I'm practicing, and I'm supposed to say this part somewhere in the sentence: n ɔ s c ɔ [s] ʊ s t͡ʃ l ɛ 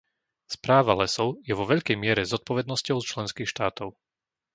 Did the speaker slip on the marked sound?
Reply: yes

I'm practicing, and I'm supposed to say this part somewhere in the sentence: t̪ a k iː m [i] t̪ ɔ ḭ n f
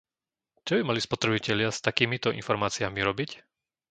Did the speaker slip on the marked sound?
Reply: no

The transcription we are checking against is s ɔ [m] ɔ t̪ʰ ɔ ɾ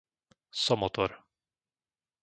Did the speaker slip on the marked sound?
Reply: no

